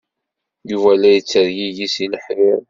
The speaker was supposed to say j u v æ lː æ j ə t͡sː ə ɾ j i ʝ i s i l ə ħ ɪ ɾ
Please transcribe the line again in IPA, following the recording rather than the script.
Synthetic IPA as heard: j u v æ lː æ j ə t͡sː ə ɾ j i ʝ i s i l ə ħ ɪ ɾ